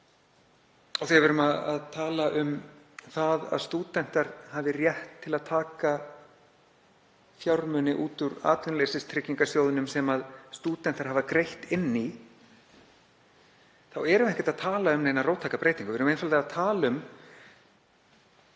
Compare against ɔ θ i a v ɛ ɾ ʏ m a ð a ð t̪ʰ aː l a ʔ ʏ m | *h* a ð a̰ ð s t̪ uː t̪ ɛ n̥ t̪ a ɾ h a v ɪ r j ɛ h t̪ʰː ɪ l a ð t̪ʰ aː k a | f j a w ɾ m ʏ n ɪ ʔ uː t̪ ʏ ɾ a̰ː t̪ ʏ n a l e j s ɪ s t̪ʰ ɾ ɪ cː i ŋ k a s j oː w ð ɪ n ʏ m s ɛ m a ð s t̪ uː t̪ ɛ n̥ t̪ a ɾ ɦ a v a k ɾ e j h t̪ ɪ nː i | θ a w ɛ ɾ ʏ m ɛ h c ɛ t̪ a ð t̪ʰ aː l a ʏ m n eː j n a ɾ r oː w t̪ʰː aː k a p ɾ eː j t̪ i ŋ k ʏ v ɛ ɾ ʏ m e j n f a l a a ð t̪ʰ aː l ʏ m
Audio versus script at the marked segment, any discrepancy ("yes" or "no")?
yes